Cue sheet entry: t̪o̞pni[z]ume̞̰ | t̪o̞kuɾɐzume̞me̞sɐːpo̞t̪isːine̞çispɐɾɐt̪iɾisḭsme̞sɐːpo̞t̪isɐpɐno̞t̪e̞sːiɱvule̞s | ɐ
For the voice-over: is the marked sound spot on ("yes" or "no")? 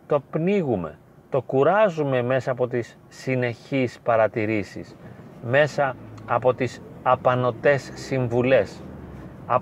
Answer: no